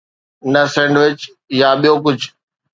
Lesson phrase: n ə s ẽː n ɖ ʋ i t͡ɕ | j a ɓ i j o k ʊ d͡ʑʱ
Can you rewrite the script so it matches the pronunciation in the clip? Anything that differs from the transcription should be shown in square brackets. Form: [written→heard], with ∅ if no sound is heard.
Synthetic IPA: n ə s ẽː [n→ɳ] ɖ ʋ [i→ɪ] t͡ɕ | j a ɓ i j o k ʊ d͡ʑʱ